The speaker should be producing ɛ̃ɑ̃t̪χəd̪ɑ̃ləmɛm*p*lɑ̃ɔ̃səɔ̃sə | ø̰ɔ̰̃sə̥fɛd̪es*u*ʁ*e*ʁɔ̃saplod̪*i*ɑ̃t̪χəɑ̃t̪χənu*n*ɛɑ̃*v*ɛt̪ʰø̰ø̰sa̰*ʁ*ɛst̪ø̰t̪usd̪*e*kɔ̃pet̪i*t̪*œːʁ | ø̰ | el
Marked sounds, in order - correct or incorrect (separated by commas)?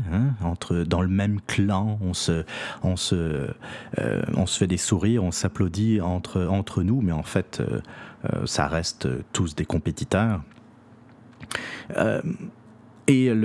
incorrect, correct, incorrect, correct, incorrect, incorrect, correct, correct, correct